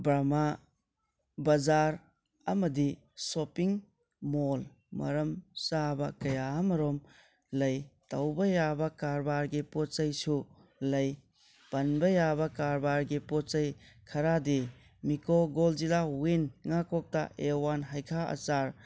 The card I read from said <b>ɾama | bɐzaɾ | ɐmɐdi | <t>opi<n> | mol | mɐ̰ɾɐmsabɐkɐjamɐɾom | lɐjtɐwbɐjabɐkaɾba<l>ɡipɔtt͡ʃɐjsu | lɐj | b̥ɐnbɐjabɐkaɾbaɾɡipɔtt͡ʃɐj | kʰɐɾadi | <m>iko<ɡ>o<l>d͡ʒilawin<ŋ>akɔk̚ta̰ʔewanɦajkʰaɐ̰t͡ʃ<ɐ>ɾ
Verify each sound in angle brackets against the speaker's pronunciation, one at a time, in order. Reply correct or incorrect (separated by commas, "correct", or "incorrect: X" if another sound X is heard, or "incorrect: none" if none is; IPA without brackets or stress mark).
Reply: correct, incorrect: s, incorrect: ŋ, incorrect: ɾ, correct, correct, correct, correct, incorrect: a